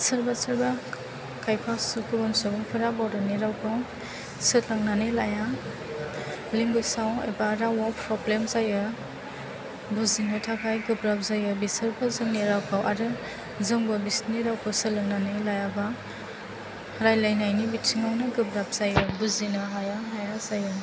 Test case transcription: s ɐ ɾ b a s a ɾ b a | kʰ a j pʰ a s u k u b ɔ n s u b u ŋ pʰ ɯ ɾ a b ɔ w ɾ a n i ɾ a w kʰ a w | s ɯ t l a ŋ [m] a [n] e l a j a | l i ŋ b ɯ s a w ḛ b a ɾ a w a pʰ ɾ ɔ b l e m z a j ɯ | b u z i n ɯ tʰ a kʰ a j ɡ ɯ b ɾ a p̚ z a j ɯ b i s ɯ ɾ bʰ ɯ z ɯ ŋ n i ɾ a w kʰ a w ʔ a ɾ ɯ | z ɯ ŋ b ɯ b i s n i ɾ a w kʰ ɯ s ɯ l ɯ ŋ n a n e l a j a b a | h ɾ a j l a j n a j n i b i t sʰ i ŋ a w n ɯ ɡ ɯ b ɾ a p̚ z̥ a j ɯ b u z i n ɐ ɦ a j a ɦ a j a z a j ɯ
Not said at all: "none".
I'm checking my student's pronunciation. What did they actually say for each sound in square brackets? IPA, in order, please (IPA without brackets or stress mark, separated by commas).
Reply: n, n